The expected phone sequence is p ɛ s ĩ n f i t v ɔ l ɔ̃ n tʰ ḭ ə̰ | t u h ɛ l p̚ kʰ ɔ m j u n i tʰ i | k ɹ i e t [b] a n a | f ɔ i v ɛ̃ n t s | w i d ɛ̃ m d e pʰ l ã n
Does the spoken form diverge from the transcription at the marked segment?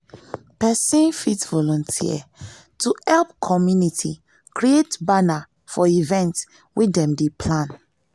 no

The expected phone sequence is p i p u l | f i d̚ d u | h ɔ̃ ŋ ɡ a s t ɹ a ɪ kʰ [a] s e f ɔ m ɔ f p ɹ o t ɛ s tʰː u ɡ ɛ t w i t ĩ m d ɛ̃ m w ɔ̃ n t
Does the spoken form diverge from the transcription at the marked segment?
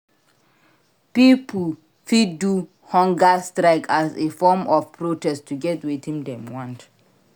no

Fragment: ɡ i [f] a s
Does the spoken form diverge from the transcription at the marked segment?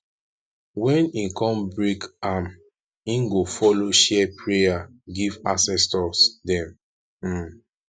yes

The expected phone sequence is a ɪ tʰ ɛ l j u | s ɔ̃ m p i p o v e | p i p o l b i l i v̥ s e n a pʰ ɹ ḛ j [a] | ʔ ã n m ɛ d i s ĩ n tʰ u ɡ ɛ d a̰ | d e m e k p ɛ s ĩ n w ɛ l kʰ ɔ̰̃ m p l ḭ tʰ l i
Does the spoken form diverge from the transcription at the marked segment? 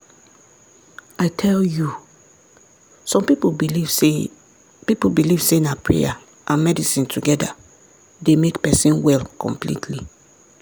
no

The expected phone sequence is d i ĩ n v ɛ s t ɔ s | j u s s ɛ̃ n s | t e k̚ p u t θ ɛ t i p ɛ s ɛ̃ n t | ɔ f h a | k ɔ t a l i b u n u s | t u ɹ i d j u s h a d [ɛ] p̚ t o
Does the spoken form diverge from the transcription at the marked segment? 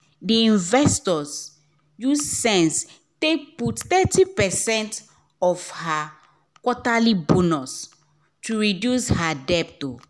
no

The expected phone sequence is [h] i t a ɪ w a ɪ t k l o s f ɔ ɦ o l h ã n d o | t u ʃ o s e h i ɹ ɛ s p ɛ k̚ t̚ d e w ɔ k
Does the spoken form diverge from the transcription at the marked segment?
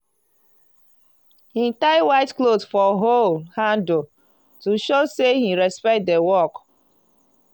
no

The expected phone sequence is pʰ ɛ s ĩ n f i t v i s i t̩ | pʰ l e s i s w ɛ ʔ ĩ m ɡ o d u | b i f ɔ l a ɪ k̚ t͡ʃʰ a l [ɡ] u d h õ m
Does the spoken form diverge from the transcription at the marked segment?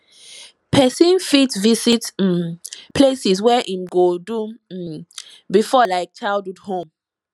yes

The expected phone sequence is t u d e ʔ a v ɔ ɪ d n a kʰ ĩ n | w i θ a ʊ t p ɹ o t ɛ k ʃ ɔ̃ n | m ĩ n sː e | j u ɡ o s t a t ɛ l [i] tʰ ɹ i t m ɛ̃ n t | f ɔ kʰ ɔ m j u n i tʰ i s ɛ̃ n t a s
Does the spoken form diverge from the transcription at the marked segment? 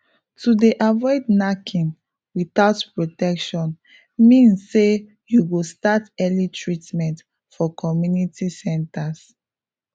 no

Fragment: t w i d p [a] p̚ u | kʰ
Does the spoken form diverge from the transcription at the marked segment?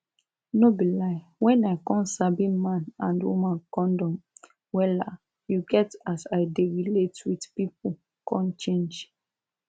yes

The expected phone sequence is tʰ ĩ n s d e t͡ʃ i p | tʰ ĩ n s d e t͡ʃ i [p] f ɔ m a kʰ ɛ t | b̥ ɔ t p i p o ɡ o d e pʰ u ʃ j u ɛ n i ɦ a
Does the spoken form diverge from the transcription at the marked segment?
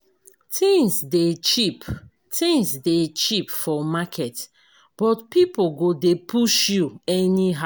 no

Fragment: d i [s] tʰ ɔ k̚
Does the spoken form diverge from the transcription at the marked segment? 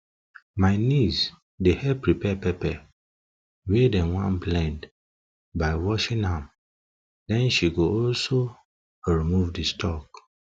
no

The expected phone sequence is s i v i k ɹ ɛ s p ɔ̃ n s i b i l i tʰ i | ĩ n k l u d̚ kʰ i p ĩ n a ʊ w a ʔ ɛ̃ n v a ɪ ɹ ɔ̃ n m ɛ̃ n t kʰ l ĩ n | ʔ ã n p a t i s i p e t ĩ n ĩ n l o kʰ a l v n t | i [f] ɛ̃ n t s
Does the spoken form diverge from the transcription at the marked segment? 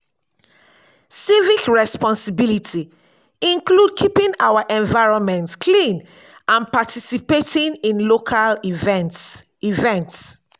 yes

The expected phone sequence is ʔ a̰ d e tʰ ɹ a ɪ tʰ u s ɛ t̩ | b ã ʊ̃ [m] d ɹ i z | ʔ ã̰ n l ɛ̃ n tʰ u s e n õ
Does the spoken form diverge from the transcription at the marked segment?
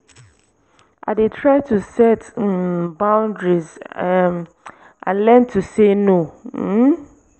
yes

